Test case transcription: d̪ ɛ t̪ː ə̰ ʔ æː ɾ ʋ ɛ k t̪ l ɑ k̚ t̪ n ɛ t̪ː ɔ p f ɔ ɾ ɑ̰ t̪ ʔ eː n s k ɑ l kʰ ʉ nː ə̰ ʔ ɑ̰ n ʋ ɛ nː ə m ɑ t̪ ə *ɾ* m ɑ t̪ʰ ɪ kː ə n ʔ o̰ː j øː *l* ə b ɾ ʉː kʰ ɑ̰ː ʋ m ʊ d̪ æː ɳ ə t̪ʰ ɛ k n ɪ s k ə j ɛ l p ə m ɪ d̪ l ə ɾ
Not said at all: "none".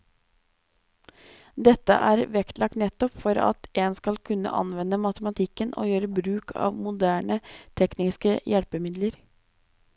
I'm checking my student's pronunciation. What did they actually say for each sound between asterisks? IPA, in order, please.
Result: none, ɾ

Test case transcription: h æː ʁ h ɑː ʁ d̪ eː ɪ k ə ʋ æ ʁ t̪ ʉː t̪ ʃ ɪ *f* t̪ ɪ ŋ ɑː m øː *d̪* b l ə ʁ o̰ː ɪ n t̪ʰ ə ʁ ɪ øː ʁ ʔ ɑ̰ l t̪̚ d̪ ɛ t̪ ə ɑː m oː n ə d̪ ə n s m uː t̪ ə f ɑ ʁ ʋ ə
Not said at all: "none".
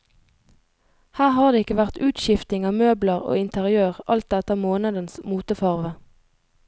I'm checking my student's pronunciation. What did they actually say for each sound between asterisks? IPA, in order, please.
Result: f, none

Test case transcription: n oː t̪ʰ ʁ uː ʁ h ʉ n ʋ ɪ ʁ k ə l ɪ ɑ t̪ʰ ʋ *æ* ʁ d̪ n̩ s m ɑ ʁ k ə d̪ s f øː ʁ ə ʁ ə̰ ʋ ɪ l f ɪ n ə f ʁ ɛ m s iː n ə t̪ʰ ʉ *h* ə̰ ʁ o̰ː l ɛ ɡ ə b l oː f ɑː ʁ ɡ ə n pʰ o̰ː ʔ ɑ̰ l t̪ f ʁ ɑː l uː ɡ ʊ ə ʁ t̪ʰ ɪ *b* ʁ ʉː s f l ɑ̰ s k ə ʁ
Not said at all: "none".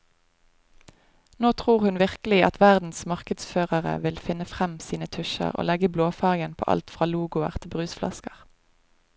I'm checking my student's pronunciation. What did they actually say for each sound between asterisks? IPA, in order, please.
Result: æ, ʃ, b

